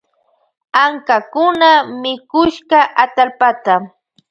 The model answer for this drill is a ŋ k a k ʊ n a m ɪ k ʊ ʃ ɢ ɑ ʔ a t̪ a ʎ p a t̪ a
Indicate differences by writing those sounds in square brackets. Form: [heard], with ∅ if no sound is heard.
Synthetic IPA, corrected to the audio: a ŋ k a k ʊ n a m ɪ k ʊ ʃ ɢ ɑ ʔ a t̪ a [l] p a t̪ a